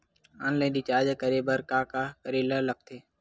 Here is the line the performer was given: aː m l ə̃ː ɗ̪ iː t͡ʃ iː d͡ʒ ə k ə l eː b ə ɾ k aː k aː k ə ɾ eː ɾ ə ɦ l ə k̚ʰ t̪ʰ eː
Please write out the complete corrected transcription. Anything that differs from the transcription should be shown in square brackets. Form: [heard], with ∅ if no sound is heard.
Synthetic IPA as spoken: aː [n] l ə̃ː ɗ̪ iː t͡ʃ [aː] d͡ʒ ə k ə [ɾ] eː b ə ɾ k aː k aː k ə ɾ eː [l] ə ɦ l ə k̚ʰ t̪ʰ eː